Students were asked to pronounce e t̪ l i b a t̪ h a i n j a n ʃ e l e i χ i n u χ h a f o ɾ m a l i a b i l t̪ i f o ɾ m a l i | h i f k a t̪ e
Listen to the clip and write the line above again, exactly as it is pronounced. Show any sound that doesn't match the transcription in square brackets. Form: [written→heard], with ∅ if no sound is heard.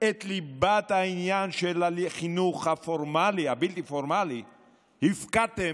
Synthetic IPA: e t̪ l i b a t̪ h a i n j a n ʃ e l [e→a] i χ i n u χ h a f o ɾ m a l i a b i l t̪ i f o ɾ m a l i | h i f k a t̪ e